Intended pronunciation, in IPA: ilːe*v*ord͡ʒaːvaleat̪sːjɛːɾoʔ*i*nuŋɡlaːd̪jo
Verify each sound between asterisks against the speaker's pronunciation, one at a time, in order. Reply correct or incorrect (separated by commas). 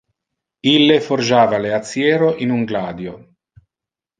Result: incorrect, correct